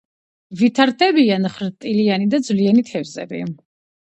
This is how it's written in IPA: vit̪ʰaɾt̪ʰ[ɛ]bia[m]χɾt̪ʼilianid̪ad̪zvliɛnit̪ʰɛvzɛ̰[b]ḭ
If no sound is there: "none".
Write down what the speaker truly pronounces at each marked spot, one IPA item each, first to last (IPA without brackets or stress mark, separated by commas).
ɛ, n, b